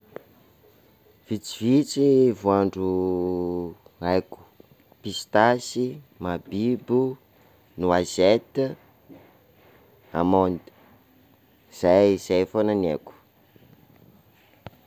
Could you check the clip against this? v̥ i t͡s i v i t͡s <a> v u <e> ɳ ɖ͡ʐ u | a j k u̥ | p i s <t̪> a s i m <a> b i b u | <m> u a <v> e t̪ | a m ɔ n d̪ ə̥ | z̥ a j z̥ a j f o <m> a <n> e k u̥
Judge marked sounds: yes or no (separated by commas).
no, no, yes, yes, no, no, no, yes